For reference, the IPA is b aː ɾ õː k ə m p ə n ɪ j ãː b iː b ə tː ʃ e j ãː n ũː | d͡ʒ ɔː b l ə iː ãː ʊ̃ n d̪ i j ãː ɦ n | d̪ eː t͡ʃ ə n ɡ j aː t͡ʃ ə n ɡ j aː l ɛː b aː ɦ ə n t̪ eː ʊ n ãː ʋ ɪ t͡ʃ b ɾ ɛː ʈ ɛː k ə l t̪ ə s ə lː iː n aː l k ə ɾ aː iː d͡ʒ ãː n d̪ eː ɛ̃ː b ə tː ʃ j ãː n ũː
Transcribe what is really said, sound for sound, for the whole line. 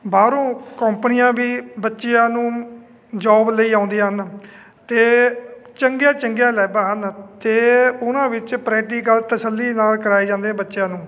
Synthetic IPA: b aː ɾ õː k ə m p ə n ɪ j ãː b iː b ə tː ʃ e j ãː n ũː | d͡ʒ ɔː b l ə iː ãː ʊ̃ n d̪ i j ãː ɦ n | t̪ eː t͡ʃ ə ŋ ɡ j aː t͡ʃ ə ŋ ɡ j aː l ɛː b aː ɦ ə n t̪ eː ʊ n ãː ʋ ɪ t͡ʃ p ɾ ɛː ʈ iː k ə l t̪ ə s ə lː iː n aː l k ə ɾ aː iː d͡ʒ ãː n d̪ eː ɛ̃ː b ə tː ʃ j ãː n ũː